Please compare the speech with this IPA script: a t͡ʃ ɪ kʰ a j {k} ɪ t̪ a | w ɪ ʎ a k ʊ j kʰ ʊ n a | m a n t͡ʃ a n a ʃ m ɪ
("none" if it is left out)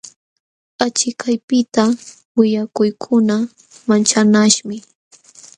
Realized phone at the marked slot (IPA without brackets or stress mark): p